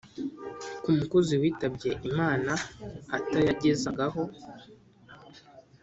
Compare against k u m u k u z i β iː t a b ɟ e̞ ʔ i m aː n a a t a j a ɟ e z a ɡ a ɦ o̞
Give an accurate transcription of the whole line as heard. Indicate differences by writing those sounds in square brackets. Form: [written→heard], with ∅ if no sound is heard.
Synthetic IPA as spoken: k u m u k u z i [β→w] iː t a b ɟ e̞ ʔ i m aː n a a t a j a ɟ e z a ɡ a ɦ o̞